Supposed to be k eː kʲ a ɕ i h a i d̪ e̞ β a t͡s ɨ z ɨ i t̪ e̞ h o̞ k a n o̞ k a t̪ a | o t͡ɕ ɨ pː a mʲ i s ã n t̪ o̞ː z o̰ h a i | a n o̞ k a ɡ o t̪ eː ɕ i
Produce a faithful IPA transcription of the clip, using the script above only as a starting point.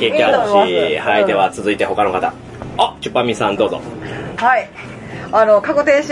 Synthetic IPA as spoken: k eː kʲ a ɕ i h a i d̪ e̞ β a t͡s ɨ z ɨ i t̪ e̞ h o̞ k a n o̞ k a t̪ a | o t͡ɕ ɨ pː a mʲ i s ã n d̪ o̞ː z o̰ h a i | a n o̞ k a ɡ o t̪ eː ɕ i